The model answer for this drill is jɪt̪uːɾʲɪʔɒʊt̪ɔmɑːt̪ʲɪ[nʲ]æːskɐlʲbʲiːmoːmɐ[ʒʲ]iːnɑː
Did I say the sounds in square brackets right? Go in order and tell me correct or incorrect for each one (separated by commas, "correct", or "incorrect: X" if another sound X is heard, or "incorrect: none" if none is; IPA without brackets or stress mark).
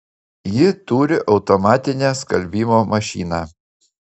correct, incorrect: ʃʲ